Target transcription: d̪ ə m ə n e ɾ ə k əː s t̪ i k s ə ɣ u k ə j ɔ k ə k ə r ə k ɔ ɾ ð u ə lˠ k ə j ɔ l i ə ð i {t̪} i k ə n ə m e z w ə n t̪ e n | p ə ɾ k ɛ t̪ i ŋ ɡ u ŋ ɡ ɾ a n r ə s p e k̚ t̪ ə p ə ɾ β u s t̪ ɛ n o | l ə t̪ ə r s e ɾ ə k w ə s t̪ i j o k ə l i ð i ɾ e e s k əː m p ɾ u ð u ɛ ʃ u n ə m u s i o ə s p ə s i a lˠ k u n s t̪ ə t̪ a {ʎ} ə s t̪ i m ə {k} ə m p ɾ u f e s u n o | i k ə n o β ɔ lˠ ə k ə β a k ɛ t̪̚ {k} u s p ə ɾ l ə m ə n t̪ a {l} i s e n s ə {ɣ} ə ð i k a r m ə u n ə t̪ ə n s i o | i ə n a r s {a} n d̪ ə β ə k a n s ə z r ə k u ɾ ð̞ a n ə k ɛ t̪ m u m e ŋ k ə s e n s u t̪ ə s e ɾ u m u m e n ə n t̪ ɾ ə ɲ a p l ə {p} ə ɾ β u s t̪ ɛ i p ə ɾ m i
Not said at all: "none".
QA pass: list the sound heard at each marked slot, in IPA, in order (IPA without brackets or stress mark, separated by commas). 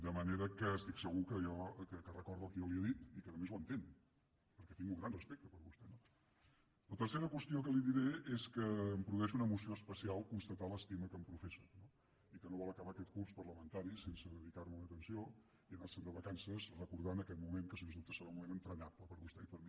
t̪, l, k, k, ɾ, ð, ə, p